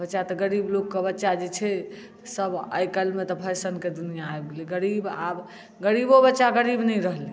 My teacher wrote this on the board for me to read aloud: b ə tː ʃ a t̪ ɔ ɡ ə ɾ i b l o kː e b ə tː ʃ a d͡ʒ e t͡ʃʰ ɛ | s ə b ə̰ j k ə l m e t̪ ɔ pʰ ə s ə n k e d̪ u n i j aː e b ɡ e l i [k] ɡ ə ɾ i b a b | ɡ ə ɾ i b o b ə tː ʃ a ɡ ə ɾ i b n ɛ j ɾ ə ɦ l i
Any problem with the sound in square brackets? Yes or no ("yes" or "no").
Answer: yes